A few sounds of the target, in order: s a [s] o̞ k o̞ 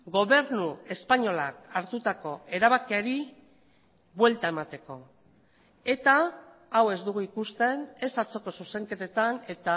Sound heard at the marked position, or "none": t͡s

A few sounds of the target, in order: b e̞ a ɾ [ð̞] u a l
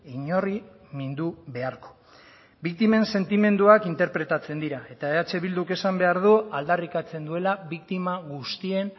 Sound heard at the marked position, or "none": ð̞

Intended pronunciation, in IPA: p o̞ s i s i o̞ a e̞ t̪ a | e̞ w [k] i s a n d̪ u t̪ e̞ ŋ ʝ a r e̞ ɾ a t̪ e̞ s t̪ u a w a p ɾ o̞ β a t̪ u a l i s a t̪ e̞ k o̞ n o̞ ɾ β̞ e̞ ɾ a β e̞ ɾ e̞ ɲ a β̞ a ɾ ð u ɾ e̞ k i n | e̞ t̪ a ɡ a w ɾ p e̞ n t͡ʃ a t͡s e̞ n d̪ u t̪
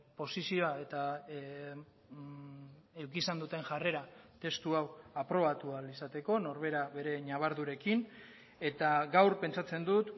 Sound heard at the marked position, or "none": k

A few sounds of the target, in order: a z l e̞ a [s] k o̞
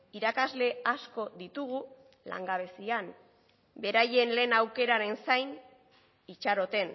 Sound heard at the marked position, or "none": s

